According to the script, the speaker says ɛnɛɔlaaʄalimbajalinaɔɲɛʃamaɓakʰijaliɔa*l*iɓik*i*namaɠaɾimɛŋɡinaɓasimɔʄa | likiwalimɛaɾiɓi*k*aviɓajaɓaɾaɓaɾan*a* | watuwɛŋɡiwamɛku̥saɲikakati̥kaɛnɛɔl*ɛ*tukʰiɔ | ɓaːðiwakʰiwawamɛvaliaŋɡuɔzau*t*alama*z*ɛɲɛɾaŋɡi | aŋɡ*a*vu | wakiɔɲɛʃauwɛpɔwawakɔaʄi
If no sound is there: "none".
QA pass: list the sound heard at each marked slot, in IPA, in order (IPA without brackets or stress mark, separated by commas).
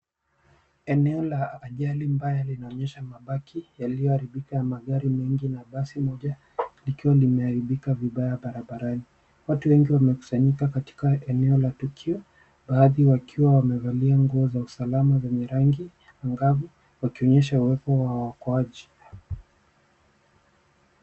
ɾ, a, k, i, a, s, z, a